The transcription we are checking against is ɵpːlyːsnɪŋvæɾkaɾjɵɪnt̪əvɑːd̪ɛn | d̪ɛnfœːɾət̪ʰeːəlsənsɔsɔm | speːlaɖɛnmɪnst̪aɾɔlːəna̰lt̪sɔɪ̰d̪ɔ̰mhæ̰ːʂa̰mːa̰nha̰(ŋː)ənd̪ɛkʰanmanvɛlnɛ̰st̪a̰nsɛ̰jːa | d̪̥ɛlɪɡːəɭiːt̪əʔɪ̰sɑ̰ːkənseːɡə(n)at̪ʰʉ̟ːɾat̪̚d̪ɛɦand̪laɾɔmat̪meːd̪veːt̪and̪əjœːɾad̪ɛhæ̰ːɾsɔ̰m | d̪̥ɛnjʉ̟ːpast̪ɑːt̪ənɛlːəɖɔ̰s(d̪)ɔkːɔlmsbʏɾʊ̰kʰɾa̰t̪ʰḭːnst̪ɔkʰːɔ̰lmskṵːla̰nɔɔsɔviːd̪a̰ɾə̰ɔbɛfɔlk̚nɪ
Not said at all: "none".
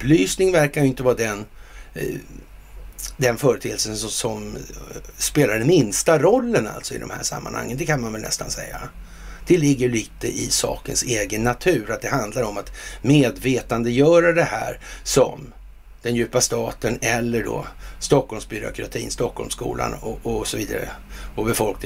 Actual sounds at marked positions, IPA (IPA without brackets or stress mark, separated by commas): ŋː, nː, t̪